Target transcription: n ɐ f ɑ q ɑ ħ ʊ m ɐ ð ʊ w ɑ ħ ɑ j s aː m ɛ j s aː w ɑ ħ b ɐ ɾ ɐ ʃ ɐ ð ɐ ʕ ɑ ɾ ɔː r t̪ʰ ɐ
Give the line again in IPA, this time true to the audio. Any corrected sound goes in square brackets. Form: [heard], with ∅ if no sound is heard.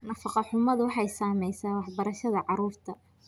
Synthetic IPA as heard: n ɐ f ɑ q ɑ ħ ʊ m ɐ ð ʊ w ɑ ħ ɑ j s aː m ɛ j s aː w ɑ ħ b ɐ ɾ ɐ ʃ ɐ ð ɐ ʕ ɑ ɾ [uː] r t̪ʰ ɐ